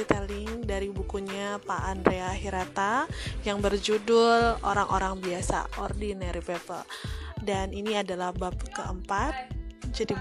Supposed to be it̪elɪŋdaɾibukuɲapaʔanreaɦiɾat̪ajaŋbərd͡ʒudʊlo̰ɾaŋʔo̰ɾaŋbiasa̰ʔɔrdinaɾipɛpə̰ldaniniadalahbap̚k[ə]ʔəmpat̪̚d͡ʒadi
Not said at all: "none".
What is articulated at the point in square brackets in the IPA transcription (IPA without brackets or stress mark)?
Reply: ə